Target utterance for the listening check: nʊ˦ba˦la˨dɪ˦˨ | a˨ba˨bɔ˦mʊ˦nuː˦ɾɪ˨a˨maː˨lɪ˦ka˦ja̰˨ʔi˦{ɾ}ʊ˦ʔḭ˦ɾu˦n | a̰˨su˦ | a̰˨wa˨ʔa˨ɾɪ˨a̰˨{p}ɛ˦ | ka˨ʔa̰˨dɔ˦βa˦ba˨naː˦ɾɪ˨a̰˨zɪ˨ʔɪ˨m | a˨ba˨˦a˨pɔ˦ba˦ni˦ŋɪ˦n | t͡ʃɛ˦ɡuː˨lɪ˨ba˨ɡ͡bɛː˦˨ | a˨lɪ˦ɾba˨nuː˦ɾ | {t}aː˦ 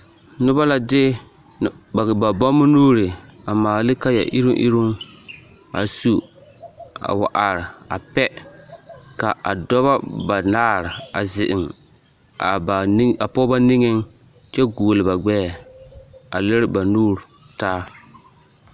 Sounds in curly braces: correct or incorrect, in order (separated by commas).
correct, correct, correct